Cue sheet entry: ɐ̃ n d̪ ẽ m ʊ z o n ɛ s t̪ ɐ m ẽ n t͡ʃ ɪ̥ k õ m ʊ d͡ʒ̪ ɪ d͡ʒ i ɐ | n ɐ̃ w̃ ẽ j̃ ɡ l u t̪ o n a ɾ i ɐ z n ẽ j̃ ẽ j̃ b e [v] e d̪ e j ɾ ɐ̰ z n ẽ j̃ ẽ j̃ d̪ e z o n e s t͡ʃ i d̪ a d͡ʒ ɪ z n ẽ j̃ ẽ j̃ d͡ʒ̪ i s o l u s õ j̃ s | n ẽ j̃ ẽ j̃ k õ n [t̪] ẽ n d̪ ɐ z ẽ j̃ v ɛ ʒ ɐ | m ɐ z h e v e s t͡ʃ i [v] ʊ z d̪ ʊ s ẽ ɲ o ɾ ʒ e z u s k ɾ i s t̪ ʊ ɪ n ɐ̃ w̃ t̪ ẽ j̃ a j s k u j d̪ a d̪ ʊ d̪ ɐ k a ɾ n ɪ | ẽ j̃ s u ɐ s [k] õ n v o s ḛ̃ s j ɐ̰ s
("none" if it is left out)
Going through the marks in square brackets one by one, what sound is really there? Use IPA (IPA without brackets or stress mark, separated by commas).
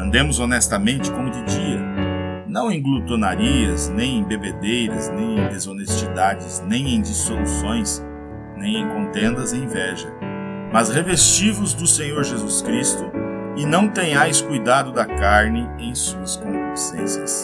b, t̪, v, k